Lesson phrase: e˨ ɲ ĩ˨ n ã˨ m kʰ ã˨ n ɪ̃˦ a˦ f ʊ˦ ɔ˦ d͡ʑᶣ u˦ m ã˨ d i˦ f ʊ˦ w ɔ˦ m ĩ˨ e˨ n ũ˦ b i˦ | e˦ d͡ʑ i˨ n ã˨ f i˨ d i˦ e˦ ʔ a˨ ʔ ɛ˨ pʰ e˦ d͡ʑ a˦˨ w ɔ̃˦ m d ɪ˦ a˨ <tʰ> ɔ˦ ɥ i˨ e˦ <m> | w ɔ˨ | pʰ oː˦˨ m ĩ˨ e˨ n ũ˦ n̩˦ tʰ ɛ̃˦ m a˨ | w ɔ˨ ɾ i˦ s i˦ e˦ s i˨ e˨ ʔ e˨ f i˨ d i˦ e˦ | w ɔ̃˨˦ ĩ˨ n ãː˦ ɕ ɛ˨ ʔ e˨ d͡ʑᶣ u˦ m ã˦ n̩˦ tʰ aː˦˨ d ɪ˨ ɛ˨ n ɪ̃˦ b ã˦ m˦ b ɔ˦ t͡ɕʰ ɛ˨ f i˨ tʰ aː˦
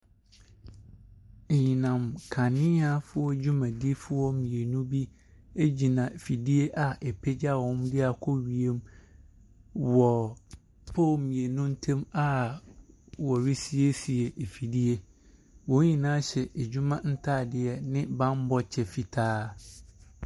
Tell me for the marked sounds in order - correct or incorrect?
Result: incorrect: kʰ, correct

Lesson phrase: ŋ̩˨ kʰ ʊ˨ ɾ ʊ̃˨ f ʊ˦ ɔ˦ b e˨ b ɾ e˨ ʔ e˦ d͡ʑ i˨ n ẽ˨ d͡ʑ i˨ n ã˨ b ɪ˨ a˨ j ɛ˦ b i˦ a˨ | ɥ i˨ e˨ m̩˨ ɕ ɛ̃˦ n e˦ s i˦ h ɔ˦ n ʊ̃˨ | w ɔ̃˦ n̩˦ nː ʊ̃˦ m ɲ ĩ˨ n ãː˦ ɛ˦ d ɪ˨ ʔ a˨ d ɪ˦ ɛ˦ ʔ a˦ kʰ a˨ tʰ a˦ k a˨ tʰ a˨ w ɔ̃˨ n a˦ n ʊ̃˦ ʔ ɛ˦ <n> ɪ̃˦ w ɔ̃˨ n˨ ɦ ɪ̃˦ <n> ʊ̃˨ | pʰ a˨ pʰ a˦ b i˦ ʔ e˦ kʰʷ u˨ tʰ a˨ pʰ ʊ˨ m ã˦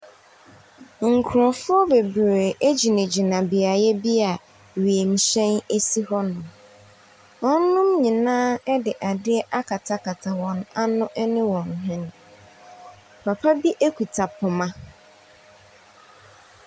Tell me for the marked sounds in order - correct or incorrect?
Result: correct, correct

